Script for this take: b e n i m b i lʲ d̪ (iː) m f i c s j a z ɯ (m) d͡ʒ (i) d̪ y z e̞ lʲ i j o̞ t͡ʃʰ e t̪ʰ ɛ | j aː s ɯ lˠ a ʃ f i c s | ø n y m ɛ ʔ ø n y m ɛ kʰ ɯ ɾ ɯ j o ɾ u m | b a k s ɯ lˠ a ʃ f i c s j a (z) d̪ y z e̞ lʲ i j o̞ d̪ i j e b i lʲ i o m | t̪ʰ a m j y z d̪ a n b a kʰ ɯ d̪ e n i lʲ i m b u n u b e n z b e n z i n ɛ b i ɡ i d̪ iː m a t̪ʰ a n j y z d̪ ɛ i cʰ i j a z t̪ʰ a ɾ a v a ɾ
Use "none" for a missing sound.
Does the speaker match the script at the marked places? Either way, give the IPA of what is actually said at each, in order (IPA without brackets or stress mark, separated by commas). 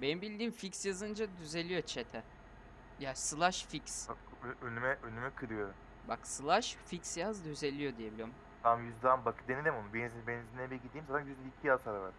iː, n, a, z